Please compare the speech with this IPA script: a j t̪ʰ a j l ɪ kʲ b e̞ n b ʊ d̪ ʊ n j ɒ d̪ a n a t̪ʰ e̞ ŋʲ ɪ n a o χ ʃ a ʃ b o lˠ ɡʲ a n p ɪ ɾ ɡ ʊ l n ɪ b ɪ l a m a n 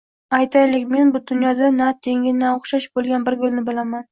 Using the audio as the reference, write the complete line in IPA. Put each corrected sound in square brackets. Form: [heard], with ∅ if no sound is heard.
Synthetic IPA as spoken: a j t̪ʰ a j l ɪ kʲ [m] e̞ n b ʊ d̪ ʊ n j ɒ d̪ a n a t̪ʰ e̞ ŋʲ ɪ n a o χ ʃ a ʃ b o lˠ ɡʲ a n [b] ɪ ɾ ɡ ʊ l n ɪ b ɪ l a m a n